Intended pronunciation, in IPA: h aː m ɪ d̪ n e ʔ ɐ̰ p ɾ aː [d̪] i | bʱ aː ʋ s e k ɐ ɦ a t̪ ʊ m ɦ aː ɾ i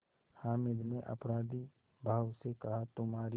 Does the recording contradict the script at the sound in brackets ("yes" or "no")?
no